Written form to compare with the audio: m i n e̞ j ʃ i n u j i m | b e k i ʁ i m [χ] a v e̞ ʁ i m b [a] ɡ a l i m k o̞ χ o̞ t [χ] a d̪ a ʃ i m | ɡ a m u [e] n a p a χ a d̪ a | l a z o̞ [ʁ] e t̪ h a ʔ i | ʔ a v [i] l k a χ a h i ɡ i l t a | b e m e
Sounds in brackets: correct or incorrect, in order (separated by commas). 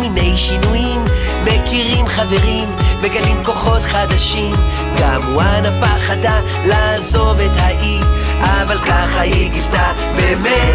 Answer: correct, incorrect, correct, incorrect, incorrect, incorrect